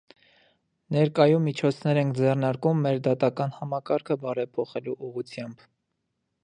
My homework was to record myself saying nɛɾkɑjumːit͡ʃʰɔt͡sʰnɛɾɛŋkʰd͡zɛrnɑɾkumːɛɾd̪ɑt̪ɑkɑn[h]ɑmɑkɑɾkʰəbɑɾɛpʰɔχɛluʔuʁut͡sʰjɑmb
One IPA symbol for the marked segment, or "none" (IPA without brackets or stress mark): h